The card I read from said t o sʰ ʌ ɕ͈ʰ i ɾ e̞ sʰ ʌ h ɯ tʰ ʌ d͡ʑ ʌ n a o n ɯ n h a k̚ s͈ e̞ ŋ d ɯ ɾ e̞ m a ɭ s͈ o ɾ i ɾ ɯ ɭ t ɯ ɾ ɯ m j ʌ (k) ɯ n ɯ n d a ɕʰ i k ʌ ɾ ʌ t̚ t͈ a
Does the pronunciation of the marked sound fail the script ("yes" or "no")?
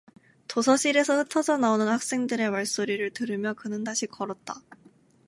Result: no